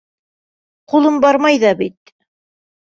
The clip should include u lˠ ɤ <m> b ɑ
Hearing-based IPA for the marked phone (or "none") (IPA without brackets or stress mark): m